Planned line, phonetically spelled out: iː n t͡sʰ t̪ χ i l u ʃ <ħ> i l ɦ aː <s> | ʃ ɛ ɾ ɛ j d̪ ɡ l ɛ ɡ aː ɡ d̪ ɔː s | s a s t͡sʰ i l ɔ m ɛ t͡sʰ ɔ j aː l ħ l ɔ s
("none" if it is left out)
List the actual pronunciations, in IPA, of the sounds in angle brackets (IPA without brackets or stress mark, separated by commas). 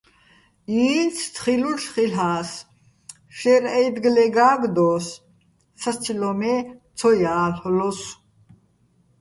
χ, s